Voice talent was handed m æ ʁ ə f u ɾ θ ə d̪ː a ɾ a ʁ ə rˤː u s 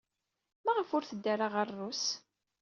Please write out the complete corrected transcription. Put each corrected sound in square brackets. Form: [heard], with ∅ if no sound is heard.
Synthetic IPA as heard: m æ ʁ ə f [ʊ] ɾ θ ə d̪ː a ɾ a ʁ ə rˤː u s